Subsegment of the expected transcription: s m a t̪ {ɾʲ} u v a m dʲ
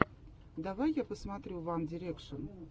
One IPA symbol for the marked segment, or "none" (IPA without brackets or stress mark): ɾʲ